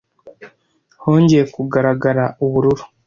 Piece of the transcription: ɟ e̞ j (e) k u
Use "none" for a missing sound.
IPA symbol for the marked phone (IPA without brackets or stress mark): e